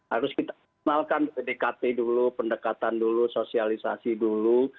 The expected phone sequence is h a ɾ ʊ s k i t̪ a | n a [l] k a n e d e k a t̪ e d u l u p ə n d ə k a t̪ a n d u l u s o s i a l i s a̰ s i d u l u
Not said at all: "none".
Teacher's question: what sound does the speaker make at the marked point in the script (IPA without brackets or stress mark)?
l